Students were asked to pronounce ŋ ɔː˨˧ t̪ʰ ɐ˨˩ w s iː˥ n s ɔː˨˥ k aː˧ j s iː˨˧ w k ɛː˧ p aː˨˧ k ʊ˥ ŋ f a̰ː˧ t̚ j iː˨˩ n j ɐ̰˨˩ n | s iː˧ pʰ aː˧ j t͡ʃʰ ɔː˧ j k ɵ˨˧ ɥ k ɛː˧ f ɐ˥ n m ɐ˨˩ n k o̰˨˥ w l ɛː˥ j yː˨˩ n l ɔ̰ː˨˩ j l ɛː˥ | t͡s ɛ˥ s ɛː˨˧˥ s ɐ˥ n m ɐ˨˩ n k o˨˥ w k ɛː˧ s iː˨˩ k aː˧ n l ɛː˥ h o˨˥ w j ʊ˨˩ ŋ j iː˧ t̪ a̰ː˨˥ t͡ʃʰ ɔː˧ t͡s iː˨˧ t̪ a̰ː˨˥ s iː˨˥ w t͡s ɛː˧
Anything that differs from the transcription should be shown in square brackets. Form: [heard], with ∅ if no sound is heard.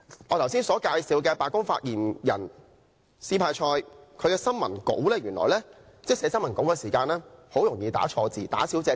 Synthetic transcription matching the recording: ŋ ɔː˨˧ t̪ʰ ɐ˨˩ w s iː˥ n s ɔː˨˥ k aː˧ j s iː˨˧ w k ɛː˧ p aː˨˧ k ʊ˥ ŋ f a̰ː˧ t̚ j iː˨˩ n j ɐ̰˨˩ n | s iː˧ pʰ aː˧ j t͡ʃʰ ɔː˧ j [kʰ] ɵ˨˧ ɥ k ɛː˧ [s] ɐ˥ n m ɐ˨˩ n k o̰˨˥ w l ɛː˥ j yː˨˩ n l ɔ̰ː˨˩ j l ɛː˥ | t͡s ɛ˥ s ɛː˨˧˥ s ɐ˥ n m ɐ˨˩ n k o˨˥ w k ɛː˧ s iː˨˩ k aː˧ n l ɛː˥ h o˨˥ w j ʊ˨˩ ŋ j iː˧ t̪ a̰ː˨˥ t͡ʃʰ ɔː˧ t͡s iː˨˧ t̪ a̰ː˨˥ s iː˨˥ w t͡s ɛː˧